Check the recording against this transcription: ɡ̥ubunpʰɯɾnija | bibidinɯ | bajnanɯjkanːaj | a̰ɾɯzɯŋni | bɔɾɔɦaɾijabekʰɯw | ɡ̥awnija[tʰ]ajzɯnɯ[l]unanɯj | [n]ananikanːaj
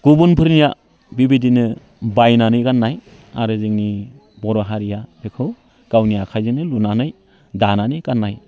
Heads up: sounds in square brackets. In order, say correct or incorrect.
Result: incorrect: kʰ, correct, incorrect: d

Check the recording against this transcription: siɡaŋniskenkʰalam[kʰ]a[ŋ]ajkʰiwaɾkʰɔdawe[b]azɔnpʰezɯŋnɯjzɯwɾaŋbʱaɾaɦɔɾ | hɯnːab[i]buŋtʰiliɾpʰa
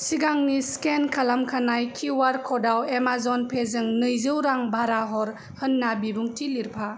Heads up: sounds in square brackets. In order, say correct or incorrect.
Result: correct, incorrect: n, incorrect: m, correct

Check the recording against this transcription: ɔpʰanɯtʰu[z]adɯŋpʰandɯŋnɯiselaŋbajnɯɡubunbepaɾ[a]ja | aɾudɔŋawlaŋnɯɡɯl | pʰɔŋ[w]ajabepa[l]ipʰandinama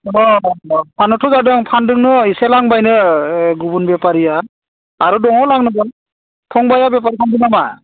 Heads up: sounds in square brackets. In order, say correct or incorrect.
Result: correct, incorrect: i, incorrect: b, incorrect: ɾ

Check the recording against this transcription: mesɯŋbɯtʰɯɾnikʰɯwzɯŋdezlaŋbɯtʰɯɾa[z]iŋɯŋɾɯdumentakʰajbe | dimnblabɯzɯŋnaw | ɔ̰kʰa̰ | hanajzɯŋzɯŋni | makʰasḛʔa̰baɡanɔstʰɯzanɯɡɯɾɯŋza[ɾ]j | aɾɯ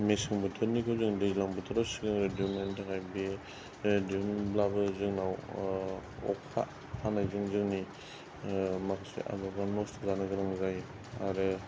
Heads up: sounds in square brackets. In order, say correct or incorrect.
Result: incorrect: s, incorrect: none

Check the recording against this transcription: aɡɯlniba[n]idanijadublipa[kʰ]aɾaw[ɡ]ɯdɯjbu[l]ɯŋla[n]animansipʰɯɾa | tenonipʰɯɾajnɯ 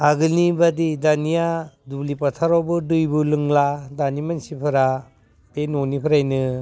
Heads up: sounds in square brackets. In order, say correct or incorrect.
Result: incorrect: d, incorrect: tʰ, incorrect: b, correct, incorrect: d

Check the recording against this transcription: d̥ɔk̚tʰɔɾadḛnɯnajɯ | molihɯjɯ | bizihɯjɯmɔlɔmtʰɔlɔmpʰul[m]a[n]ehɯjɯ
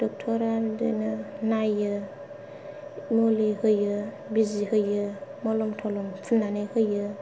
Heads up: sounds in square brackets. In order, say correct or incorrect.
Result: incorrect: n, correct

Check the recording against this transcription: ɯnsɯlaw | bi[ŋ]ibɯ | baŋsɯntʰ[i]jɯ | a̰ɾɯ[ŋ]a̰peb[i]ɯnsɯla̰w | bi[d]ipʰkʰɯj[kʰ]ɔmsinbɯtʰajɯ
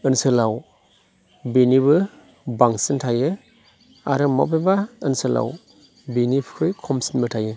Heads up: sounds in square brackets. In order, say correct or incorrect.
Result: incorrect: n, incorrect: a, incorrect: m, incorrect: a, incorrect: n, correct

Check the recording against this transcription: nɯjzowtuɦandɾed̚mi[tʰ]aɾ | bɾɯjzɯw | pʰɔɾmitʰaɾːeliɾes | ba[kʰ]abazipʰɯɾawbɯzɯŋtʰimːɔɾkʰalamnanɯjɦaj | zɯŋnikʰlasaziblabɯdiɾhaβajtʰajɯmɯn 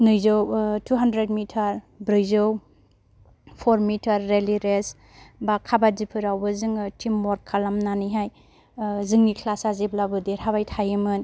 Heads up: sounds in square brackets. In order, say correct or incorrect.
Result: correct, correct

